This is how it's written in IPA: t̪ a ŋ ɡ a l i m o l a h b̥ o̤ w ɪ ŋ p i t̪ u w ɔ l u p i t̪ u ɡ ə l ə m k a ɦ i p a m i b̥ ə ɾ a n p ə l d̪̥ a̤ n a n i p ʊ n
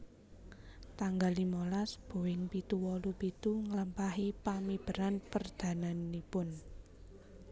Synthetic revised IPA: t̪ a ŋ ɡ a l i m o l a s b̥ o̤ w ɪ ŋ p i t̪ u w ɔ l u p i t̪ u ŋ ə l ə m p a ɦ i p a m i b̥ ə ɾ a n p ə r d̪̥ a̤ n a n i p ʊ n